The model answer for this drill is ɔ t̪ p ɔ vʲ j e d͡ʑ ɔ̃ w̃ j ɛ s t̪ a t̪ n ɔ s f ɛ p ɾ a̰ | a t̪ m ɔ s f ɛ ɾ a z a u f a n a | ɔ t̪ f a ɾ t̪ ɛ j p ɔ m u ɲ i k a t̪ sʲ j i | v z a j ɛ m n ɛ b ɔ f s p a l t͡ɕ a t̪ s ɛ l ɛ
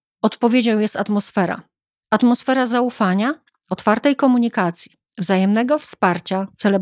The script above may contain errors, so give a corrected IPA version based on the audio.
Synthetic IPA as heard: ɔ t̪ p ɔ vʲ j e d͡ʑ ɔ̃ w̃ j ɛ s t̪ a t̪ m ɔ s f ɛ ɾ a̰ | a t̪ m ɔ s f ɛ ɾ a z a u f a ɲ a | ɔ t̪ f a ɾ t̪ ɛ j k ɔ m u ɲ i k a t̪ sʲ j i | v z a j ɛ m n ɛ ɡ ɔ f s p a ɾ t͡ɕ a t̪ s ɛ l ɛ